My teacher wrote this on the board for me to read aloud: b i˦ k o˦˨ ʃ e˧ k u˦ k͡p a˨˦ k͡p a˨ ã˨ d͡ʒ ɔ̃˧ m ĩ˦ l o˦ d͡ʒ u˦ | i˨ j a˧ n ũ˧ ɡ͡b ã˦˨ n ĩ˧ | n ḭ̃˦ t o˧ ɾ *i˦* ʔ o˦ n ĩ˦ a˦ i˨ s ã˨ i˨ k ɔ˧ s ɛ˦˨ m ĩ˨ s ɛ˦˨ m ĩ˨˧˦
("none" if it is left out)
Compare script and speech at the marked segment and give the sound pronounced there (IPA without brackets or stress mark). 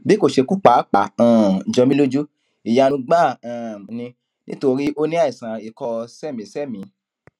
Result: i˦